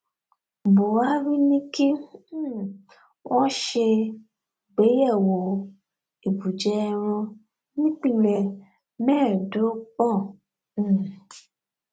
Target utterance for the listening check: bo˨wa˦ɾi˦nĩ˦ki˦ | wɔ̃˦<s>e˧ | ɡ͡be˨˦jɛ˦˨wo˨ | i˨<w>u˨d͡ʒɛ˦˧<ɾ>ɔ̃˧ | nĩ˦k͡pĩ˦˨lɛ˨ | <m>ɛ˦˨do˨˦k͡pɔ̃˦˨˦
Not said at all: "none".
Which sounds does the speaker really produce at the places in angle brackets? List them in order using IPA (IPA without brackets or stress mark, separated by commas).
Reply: ʃ, b, ɾ, m